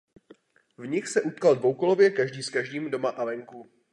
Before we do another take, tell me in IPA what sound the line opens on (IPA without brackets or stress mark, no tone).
v